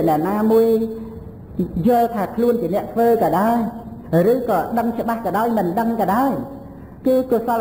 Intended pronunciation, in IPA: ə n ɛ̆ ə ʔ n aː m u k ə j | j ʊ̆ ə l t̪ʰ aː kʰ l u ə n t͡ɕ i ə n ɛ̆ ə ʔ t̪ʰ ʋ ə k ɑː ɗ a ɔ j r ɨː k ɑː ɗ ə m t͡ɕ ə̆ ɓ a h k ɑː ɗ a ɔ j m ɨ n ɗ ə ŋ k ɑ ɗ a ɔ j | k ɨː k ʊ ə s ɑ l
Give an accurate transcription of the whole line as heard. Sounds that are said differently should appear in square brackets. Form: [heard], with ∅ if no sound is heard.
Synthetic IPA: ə n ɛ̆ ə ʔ n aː m u [∅] ə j | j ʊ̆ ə l t̪ʰ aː kʰ l u ə n t͡ɕ i ə n ɛ̆ ə ʔ t̪ʰ ʋ [əː] k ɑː ɗ a ɔ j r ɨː k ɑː ɗ ə [ŋ] t͡ɕ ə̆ ɓ a h k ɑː ɗ a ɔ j m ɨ n ɗ ə ŋ k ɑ ɗ a ɔ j | k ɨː k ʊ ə s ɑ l